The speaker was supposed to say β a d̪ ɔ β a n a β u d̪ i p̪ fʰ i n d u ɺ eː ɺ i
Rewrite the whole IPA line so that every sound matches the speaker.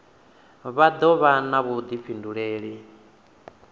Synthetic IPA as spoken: β a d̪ ɔ β a n a β u d̪ i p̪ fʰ i n d u ɺ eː ɺ i